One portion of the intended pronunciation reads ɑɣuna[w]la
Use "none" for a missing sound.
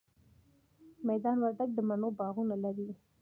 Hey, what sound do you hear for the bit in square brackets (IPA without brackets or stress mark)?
none